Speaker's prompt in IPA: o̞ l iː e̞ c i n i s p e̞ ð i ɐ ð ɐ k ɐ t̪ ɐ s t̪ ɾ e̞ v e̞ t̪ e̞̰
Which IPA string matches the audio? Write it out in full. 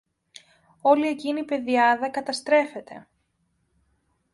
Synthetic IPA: o̞ l i e̞ c i n i p e̞ ð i ɐ ð ɐ k ɐ t̪ ɐ s t̪ ɾ e̞ f e̞ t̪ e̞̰

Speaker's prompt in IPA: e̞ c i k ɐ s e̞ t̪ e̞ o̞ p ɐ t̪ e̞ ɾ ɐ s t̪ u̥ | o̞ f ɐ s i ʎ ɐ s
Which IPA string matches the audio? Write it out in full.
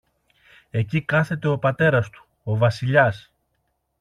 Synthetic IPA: e̞ c i k ɐ θ e̞ t̪ e̞ o̞ p ɐ t̪ e̞ ɾ ɐ s t̪ u̥ | o̞ v ɐ s i ʎ ɐ s

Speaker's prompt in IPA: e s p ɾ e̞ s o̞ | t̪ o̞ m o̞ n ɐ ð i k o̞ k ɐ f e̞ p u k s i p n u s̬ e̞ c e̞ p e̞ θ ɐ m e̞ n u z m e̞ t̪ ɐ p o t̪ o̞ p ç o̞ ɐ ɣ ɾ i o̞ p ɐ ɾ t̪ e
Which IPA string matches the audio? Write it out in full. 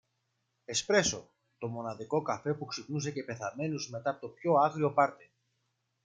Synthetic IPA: e s p ɾ e̞ s o̞ | t̪ o̞ m o̞ n ɐ ð i k o̞ k ɐ f e̞ p u k s i p n u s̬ e̞ c e̞ p e̞ θ ɐ m e̞ n u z m e̞ t̪ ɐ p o t̪ o̞ p ç o̞ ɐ ɣ ɾ i o̞ p ɐ ɾ t̪ e

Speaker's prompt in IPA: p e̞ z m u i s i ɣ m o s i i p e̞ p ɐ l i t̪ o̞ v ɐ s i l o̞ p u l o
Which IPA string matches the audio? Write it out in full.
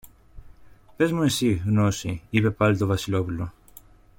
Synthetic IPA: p e̞ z m u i s i ɣ n o s i i p e̞ p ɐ l i t̪ o̞ v ɐ s i l o̞ p u l o

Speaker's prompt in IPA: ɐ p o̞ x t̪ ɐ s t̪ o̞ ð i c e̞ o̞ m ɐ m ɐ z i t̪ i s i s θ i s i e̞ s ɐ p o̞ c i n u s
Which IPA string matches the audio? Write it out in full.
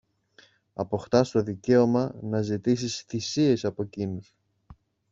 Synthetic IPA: ɐ p o̞ x t̪ ɐ s t̪ o̞ ð i c e̞ o̞ m ɐ n ɐ z i t̪ i s i s θ i s i e̞ s ɐ p o̞ c i n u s

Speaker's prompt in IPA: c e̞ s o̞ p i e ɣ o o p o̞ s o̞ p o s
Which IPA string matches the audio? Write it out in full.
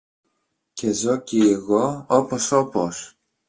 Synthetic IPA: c e̞ z o̞ c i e ɣ o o p o̞ s o̞ p o s

